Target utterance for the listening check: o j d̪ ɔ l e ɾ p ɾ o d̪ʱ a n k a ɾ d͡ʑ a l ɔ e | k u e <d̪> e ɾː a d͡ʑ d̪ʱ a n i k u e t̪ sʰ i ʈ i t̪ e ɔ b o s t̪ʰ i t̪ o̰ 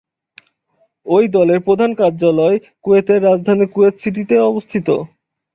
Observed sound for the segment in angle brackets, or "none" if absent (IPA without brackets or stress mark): t̪